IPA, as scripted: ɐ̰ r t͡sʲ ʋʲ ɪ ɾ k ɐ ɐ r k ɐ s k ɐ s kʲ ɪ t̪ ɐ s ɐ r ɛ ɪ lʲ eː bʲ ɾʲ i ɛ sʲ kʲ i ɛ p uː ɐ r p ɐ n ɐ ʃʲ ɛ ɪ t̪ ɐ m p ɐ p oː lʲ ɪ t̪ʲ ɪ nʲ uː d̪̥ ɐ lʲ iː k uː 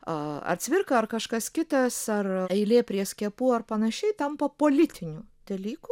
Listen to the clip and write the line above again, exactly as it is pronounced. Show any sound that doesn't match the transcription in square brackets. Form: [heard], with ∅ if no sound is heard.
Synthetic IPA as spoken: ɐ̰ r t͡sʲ ʋʲ ɪ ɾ k ɐ ɐ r k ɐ [ʃ] k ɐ s kʲ ɪ t̪ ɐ s ɐ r ɛ ɪ lʲ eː [pʲ] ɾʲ i ɛ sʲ kʲ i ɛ p uː ɐ r p ɐ n ɐ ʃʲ ɛ ɪ t̪ ɐ m p ɐ p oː lʲ ɪ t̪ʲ ɪ nʲ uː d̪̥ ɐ lʲ iː k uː

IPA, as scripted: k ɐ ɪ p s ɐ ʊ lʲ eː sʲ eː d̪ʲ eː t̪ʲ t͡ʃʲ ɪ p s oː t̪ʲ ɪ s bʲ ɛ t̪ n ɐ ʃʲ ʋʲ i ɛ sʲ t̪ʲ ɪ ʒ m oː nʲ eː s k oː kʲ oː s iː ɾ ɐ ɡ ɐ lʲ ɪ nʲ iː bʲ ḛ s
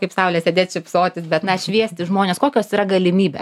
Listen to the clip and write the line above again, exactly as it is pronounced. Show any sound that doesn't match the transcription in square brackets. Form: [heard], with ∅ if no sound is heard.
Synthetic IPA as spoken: k ɐ ɪ p s ɐ ʊ lʲ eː sʲ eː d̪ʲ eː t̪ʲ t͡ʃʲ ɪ p s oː t̪ʲ ɪ s bʲ ɛ t̪ n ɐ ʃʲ ʋʲ i ɛ sʲ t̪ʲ ɪ ʒ m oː nʲ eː s k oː kʲ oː s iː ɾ ɐ ɡ ɐ lʲ ɪ [mʲ] iː bʲ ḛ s

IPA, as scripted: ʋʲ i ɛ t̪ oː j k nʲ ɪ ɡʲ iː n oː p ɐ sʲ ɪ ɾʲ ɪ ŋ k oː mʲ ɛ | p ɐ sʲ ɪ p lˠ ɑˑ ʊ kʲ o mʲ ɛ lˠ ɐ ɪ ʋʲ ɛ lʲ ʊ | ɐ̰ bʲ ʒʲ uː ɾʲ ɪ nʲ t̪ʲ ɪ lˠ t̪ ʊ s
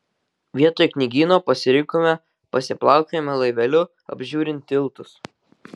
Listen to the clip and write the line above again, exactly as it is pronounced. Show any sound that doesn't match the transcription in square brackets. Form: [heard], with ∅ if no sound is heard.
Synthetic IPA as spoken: ʋʲ i ɛ t̪ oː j k nʲ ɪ ɡʲ iː n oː p ɐ sʲ ɪ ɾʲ ɪ ŋ k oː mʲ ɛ | p ɐ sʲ ɪ p lˠ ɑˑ ʊ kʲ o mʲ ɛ lˠ ɐ ɪ ʋʲ ɛ lʲ ʊ | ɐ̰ bʲ ʒʲ uː ɾʲ ɪ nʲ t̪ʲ ɪ lˠ t̪ ʊ s

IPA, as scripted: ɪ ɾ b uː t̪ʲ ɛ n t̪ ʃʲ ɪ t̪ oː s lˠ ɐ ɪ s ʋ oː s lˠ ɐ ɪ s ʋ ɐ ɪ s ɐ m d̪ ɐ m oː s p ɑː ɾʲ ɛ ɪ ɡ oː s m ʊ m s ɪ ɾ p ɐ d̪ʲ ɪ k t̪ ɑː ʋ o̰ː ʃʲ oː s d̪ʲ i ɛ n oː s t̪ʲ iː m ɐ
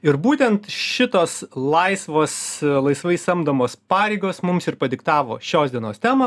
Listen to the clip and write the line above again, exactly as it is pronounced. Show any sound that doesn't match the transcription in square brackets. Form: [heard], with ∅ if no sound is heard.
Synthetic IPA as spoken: ɪ ɾ b uː t̪ʲ ɛ n t̪ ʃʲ ɪ t̪ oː s lˠ ɐ ɪ s ʋ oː s lˠ ɐ ɪ s ʋ ɐ ɪ s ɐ m d̪ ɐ m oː s p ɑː ɾʲ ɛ ɪ ɡ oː s m ʊ m s ɪ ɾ p ɐ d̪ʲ ɪ k t̪ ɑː ʋ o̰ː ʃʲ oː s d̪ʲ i ɛ n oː s t̪ʲ [æː] m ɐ

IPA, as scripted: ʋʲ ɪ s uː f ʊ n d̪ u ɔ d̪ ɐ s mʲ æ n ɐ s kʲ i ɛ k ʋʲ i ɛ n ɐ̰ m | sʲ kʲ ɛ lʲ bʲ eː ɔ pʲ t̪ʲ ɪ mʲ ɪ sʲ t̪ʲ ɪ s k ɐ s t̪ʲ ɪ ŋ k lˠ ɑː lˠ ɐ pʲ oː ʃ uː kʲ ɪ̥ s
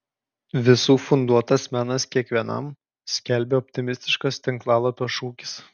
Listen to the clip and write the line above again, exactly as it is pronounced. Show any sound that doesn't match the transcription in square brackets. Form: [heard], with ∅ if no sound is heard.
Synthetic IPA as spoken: ʋʲ ɪ s uː f ʊ n d̪ u ɔ [t̪] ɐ s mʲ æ n ɐ s kʲ i ɛ k ʋʲ i ɛ n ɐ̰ m | sʲ kʲ ɛ lʲ bʲ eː ɔ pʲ t̪ʲ ɪ mʲ ɪ sʲ t̪ʲ ɪ [ʃ] k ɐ s t̪ʲ ɪ ŋ k lˠ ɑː lˠ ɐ pʲ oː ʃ uː kʲ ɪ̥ s

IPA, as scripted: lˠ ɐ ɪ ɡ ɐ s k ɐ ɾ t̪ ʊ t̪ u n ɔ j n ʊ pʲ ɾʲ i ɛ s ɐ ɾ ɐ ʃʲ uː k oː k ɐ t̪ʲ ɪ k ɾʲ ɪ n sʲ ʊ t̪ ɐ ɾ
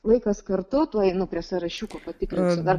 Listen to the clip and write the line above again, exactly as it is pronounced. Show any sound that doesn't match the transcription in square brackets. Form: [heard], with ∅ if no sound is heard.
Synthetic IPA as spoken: lˠ ɐ ɪ [k] ɐ s k ɐ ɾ t̪ ʊ t̪ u [∅] ɔ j n ʊ pʲ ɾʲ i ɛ s ɐ ɾ ɐ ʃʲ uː k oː [p] ɐ t̪ʲ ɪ k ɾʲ ɪ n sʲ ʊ [d̪] ɐ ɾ

